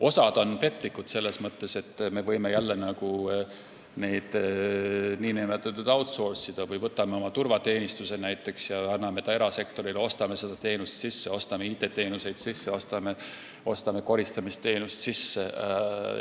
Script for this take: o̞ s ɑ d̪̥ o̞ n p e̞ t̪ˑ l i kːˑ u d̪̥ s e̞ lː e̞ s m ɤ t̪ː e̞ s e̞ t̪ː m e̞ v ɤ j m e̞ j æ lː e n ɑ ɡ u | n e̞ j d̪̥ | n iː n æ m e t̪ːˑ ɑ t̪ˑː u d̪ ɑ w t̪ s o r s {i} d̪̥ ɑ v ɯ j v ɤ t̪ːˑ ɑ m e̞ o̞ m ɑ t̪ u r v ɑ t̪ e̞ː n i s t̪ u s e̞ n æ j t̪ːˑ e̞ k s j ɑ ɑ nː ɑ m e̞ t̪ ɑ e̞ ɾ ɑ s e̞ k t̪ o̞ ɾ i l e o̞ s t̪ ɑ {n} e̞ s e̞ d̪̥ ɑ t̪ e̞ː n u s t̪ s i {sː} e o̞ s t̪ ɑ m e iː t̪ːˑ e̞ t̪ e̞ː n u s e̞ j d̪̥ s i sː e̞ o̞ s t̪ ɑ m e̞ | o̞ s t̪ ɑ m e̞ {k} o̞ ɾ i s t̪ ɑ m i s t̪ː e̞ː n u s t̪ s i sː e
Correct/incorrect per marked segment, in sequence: correct, incorrect: m, correct, correct

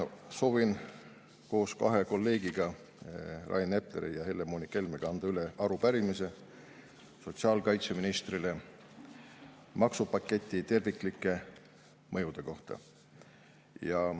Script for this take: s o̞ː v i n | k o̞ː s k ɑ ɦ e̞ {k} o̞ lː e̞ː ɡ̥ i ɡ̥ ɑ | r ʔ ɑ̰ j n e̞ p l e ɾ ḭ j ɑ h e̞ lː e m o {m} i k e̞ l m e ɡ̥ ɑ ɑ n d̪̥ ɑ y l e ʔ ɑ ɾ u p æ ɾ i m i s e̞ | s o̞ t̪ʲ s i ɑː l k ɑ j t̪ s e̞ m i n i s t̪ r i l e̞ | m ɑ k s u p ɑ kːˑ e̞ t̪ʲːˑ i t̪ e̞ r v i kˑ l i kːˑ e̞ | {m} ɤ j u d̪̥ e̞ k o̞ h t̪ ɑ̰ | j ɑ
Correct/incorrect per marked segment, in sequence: correct, incorrect: n, correct

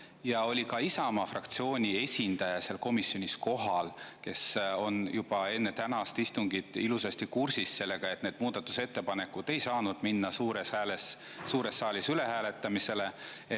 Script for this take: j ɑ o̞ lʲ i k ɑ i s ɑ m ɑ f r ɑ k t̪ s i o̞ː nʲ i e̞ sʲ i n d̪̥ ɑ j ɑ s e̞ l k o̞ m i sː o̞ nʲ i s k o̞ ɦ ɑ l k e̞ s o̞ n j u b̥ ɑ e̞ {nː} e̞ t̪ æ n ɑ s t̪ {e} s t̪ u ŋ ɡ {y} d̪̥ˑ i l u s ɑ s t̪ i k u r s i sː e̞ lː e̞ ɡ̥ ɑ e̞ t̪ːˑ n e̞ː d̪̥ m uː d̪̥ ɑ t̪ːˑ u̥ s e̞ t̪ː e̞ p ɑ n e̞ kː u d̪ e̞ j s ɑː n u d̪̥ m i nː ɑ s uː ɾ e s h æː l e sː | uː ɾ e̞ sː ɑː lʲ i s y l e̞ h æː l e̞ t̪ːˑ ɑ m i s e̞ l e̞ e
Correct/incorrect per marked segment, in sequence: correct, incorrect: i, incorrect: i

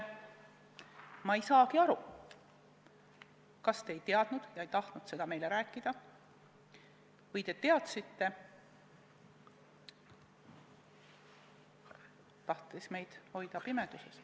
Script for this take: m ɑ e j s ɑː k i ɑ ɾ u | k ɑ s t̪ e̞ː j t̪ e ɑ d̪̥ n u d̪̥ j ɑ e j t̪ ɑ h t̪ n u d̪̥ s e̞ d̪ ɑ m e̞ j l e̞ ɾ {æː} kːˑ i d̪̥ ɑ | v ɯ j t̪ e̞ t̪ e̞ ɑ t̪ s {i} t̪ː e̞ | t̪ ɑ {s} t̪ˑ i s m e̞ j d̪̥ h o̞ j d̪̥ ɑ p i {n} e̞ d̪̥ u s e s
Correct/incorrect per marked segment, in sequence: correct, correct, incorrect: h, incorrect: m

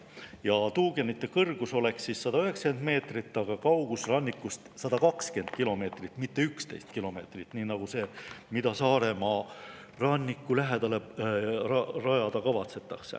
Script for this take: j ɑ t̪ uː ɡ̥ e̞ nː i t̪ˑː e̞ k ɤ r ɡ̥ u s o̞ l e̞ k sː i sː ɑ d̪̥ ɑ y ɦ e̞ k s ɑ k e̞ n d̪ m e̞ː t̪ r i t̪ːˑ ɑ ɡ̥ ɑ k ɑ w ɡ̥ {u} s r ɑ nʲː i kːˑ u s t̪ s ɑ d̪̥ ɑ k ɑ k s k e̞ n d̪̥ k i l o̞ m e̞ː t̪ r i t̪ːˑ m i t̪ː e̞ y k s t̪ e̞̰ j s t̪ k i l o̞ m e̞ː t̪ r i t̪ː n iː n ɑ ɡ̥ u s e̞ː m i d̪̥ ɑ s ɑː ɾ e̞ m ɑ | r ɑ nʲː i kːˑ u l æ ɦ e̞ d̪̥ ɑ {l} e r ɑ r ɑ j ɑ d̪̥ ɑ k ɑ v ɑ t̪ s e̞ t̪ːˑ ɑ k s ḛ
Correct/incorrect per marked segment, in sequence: correct, correct

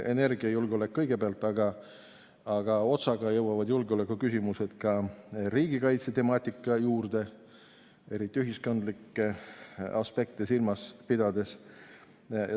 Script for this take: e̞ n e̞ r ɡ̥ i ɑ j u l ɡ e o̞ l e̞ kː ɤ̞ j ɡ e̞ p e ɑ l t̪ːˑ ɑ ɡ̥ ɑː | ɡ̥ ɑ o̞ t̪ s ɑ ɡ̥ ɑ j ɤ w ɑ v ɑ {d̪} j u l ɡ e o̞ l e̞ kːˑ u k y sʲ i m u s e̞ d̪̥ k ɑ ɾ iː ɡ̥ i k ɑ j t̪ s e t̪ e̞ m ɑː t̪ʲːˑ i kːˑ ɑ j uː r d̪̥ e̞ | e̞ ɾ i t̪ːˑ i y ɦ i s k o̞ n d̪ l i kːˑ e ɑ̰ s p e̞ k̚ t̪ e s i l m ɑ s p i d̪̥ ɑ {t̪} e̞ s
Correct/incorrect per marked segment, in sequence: correct, incorrect: d̪

